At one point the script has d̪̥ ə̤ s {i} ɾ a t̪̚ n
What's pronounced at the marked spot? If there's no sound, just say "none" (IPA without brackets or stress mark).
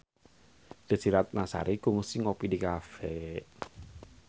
i